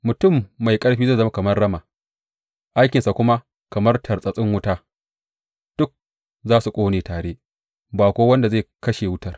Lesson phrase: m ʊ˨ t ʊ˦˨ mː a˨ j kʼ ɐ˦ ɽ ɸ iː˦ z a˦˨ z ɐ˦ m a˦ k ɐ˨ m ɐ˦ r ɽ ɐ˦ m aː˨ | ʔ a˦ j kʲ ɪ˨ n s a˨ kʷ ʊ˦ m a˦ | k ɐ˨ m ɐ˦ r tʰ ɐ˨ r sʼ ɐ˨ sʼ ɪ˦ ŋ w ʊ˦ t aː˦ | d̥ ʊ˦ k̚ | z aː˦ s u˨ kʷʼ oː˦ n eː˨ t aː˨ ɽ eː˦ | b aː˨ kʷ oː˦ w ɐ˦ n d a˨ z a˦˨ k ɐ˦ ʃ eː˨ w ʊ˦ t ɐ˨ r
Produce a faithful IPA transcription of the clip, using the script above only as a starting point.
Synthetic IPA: m ʊ˨ t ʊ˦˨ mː a˨ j kʼ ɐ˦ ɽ ɸ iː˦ z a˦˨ z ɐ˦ m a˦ k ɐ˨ m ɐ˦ r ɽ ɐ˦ m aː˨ | ʔ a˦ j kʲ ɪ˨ n s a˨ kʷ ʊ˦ m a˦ | k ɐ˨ m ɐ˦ r tʰ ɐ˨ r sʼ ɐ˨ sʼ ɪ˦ ŋ w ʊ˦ t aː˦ | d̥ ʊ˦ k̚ | z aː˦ s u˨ kʷʼ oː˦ n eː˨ t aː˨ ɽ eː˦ | b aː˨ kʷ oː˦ w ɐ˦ n d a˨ z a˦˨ k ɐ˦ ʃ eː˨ w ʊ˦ t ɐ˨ r